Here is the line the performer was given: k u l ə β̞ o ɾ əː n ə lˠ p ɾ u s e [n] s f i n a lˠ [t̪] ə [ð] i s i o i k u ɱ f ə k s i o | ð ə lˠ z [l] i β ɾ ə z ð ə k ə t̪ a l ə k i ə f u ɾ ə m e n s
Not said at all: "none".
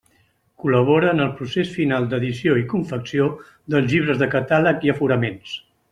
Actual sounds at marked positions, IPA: none, d̪, ð, ʎ

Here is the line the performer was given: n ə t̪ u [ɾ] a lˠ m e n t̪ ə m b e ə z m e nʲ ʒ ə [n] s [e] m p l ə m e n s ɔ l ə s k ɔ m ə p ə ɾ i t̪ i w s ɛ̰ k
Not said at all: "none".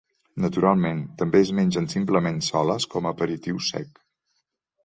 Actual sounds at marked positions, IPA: ɾ, n, i

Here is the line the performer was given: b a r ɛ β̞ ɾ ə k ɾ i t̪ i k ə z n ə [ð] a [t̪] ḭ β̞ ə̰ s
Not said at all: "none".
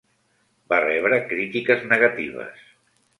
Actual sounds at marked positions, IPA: ɣ, t̪

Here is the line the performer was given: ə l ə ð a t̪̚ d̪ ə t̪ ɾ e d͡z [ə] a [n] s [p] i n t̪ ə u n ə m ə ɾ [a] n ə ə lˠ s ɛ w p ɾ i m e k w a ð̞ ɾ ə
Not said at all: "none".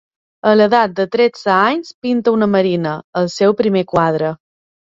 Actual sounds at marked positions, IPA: ə, ɲ, p, i

